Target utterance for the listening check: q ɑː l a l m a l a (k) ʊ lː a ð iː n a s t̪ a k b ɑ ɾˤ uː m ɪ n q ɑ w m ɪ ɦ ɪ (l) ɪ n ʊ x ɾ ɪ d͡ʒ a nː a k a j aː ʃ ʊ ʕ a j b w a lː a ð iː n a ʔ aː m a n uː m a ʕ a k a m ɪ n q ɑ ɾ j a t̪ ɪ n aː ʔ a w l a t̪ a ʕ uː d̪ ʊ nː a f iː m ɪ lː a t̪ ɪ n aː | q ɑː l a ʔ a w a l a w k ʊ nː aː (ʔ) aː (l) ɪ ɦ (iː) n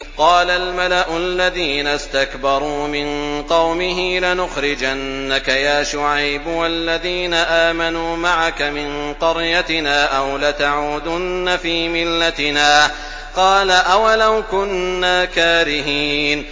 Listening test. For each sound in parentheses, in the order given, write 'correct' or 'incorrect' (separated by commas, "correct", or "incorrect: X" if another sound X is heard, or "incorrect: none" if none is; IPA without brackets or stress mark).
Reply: incorrect: ʔ, correct, incorrect: k, incorrect: ɾ, correct